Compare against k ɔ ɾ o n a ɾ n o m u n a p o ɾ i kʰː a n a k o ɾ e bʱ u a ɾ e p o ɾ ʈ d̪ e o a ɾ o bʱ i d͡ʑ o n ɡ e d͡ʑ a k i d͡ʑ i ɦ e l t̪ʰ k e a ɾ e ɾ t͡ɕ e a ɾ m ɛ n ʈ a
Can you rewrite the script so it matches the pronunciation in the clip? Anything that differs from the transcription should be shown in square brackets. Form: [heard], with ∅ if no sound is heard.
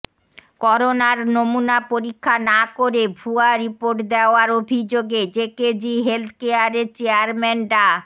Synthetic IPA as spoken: k ɔ ɾ o n a ɾ n o m u n a p o ɾ i kʰː a n a k o ɾ e bʱ u a ɾ [i] p o ɾ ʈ d̪ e o a ɾ o bʱ i d͡ʑ o [∅] ɡ e d͡ʑ [e] k [e] d͡ʑ i ɦ e l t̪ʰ k e a ɾ e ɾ t͡ɕ e a ɾ m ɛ n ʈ a